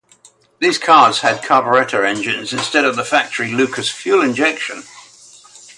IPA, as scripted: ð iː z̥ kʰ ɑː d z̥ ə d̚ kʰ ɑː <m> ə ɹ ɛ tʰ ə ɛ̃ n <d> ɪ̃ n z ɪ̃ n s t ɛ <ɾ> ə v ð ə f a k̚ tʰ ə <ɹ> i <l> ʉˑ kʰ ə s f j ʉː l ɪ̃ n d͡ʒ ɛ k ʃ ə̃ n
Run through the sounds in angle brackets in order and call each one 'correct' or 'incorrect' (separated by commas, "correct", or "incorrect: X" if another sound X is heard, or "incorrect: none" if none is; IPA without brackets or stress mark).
incorrect: b, incorrect: d͡ʒ, correct, correct, correct